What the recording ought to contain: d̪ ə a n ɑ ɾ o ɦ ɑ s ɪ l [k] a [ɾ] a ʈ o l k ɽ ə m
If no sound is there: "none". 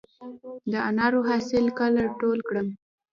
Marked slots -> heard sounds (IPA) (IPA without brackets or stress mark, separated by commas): k, l